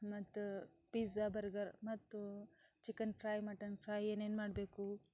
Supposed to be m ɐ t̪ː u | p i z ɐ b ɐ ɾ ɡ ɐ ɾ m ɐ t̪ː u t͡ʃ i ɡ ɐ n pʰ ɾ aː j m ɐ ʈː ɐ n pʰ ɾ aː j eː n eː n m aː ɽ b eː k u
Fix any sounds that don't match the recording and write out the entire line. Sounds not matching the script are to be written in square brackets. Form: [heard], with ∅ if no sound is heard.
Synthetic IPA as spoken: m ɐ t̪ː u | p i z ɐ b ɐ ɾ ɡ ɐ ɾ m ɐ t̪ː u t͡ʃ i [k] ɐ n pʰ ɾ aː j m ɐ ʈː ɐ n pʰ ɾ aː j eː n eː n m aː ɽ b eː k u